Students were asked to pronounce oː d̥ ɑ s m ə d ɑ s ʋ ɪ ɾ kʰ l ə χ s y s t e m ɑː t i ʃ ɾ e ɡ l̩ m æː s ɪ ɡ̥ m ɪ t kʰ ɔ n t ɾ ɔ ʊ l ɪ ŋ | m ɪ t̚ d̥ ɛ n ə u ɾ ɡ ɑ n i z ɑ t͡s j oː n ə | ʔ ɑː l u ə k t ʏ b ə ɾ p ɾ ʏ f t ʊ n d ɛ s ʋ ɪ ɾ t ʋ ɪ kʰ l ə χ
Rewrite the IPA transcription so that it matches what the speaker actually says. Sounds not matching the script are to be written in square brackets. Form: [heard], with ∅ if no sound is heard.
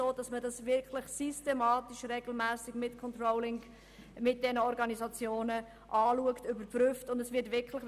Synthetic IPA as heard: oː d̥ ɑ s m ə d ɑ s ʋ ɪ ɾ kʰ l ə χ s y s t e m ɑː t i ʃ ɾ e ɡ l̩ m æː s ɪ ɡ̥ m ɪ t kʰ ɔ n t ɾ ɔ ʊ l ɪ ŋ | m ɪ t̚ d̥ ɛ n ə [ɔ] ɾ ɡ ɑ n i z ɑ t͡s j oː n ə | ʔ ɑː l u ə k t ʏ b ə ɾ p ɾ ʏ f t ʊ n d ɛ s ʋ ɪ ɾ t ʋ ɪ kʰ l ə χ